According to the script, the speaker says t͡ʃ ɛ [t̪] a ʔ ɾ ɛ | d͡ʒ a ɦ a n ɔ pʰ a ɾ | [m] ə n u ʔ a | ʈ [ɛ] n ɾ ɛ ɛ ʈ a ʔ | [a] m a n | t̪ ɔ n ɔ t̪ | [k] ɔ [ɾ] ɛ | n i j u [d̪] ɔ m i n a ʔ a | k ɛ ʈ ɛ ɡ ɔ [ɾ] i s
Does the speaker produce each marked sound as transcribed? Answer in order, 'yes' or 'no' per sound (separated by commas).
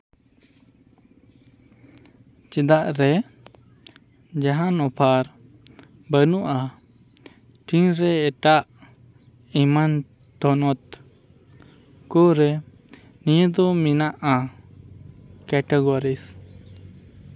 no, no, no, no, yes, yes, yes, yes